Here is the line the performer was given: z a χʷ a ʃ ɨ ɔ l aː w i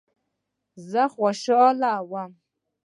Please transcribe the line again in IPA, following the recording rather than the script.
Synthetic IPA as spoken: z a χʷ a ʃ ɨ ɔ l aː w a